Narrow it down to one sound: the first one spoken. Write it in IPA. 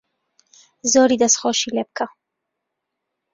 z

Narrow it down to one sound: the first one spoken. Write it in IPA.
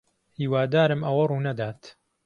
h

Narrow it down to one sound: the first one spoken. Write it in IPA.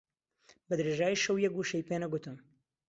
b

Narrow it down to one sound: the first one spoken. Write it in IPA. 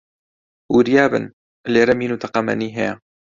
w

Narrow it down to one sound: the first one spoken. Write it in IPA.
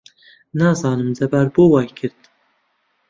n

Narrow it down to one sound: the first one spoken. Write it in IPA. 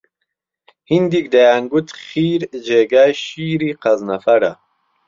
h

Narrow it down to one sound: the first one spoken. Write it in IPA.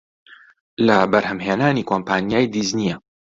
l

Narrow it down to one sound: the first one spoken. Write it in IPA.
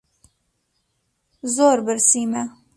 z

